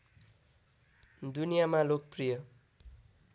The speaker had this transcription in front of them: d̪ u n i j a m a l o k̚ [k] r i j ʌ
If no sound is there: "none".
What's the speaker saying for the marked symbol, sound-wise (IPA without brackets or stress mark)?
p